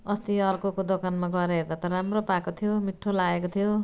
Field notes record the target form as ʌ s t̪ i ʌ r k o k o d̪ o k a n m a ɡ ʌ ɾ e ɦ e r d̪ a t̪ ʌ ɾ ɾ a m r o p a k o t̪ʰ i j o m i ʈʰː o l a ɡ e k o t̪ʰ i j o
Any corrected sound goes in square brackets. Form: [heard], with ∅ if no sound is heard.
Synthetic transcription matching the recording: ʌ s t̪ i ʌ r k o k o d̪ o k a n m a ɡ ʌ ɾ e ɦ e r d̪ a t̪ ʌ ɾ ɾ a m r o p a k o t̪ʰ i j o m i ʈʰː o l a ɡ e k o t̪ʰ i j o